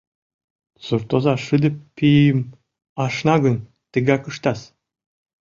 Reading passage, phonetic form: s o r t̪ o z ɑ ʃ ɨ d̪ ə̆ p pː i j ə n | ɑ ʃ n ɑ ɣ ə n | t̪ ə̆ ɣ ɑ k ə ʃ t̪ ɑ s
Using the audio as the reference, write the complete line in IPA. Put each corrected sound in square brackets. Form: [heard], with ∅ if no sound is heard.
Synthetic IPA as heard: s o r t̪ o z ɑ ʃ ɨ d̪ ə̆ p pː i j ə [m] | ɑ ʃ n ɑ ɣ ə n | t̪ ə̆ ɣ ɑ k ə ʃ t̪ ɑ s